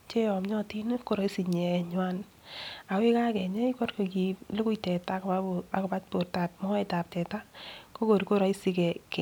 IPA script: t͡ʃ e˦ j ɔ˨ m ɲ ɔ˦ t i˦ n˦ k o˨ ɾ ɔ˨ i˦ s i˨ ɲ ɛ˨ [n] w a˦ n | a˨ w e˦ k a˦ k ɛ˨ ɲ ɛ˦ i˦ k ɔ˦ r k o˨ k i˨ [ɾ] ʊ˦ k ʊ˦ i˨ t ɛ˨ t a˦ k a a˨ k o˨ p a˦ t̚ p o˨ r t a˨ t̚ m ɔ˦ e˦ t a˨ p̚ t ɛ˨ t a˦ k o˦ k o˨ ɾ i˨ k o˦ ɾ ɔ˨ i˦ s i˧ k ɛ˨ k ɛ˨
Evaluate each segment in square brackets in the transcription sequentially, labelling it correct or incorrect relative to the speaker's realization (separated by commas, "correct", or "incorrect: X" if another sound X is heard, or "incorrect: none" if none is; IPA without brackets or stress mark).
incorrect: ɲ, incorrect: l